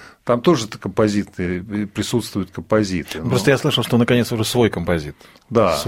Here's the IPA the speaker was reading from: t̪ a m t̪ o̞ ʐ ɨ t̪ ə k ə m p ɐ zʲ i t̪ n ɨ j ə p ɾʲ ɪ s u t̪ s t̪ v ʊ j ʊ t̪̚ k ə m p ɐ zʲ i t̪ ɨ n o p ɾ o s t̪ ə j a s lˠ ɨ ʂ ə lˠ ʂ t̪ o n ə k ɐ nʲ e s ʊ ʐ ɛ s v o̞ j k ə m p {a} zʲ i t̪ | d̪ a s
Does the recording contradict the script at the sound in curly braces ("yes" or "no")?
yes